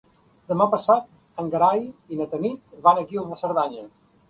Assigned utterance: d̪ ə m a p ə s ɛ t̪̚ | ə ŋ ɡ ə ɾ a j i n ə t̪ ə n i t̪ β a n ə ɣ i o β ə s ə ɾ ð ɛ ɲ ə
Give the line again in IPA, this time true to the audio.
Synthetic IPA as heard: d̪ ə m a p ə s a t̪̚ | ə ŋ ɡ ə ɾ a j i n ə t̪ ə n i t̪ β a n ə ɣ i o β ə s ə ɾ ð a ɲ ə

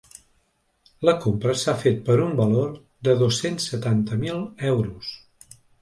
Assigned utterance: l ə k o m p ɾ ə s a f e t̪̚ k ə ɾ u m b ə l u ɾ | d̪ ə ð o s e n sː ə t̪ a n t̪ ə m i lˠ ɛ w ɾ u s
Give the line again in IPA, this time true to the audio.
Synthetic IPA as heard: l ə k o m p ɾ ə s a f e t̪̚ p ə ɾ u m b ə l o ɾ | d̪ ə ð o s e n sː ə t̪ a n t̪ ə m i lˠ ɛ w ɾ u s

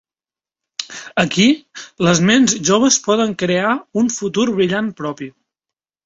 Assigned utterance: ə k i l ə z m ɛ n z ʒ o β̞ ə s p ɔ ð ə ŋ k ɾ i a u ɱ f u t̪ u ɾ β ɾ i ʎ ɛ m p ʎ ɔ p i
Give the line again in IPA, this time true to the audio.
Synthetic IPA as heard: ə k i l ə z m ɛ n z ʒ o β̞ ə s p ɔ ð ə ŋ k ɾ e a u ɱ f u t̪ u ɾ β ɾ i ʎ a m p ɾ ɔ p i

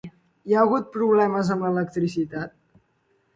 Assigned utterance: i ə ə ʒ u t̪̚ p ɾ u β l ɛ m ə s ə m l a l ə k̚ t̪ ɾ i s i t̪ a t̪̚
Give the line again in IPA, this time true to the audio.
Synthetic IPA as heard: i a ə ɣ u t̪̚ p ɾ u β l ɛ m ə z ə m l ə l ə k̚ t̪ ɾ i s i t̪ a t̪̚

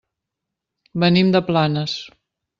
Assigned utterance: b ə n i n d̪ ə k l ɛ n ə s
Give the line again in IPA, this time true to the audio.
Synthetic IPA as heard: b ə n i m d̪ ə p l a n ə s

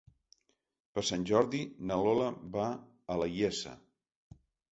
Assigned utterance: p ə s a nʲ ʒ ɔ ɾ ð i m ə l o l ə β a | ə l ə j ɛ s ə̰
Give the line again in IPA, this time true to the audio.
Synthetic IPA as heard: p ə s a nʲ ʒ ɔ ɾ ð i n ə l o l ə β a | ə l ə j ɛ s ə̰

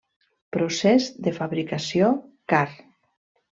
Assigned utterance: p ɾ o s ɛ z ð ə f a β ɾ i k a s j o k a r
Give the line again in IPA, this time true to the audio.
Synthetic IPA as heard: p ɾ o s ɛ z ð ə f a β ɾ i k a s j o k a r

